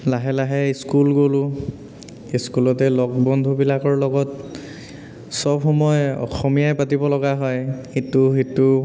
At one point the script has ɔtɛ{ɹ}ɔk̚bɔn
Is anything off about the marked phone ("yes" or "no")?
yes